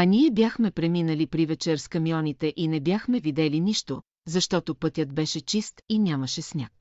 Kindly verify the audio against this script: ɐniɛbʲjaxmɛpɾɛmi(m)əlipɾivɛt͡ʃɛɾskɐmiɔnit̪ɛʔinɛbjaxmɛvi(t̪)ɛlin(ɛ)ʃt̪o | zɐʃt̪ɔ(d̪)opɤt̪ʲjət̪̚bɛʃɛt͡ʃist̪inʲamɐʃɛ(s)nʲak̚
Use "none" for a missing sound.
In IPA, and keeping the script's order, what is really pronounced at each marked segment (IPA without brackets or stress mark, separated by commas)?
n, d̪, i, t̪, s